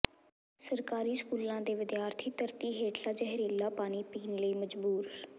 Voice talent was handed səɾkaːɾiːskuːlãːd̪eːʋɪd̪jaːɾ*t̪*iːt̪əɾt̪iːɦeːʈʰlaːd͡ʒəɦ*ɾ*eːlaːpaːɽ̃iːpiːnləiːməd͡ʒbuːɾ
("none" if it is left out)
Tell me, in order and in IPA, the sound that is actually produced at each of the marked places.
t̪ʰ, ɾ

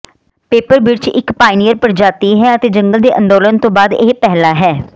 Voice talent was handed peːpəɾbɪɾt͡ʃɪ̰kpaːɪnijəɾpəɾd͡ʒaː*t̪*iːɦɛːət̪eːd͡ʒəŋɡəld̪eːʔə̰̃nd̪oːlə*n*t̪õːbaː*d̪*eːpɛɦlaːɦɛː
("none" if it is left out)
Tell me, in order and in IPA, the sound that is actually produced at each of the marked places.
t̪, n, d̪

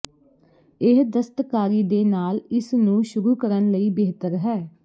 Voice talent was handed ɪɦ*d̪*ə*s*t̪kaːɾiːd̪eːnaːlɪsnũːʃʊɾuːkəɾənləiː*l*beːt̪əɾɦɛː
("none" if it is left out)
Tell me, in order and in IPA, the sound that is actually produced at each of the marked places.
d̪, s, none

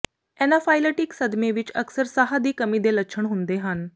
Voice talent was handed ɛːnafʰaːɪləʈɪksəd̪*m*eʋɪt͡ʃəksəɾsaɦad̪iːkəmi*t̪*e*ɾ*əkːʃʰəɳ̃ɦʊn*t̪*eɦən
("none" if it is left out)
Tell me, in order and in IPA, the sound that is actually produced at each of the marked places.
m, d̪, l, d̪

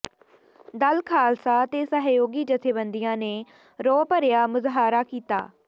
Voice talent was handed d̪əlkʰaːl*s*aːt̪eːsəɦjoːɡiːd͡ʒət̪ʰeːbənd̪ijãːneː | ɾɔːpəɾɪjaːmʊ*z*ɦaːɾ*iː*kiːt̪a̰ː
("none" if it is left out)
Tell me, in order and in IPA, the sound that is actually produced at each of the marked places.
s, z, aː

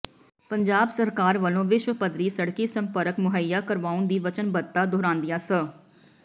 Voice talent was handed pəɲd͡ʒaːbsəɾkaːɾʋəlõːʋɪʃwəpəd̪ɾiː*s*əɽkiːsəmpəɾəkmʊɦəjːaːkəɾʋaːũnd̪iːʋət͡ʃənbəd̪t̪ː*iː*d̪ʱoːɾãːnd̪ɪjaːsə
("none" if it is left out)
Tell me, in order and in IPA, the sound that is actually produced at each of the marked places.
s, aː

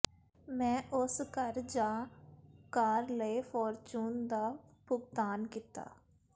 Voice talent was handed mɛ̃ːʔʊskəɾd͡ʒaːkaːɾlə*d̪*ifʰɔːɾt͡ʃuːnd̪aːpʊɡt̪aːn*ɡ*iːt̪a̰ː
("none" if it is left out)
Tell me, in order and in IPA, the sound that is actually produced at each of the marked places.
none, k

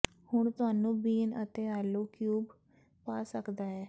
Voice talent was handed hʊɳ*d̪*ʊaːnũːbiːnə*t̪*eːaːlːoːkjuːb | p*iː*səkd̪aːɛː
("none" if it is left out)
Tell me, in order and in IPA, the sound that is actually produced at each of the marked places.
t̪, t̪, aː

